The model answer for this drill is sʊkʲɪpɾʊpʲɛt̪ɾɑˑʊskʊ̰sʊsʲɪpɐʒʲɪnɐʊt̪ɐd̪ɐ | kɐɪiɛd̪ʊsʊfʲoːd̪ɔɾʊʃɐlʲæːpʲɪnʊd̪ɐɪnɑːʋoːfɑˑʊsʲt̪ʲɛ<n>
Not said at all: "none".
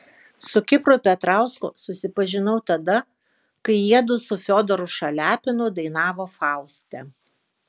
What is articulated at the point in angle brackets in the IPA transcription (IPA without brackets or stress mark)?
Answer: none